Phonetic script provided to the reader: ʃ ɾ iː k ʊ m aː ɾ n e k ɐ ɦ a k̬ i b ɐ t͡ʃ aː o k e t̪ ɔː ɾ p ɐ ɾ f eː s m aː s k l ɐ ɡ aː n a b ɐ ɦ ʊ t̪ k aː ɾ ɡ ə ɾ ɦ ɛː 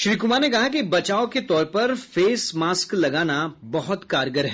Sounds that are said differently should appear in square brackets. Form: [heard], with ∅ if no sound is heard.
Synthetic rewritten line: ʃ ɾ iː k ʊ m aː ɾ n e k ɐ ɦ a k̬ i b ɐ t͡ʃ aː o k e t̪ ɔː ɾ p ɐ ɾ f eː s m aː s k l ɐ ɡ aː n a b ɐ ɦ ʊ t̪ k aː ɾ ɡ ə ɾ ɦ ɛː